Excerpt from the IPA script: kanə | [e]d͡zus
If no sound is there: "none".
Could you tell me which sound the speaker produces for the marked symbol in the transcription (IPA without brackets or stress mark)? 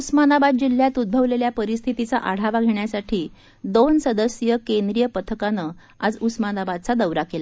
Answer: a